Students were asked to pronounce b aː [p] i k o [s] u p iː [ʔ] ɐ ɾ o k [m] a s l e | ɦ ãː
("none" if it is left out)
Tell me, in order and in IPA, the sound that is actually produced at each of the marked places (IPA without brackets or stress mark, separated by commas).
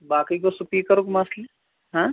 k, s, k, m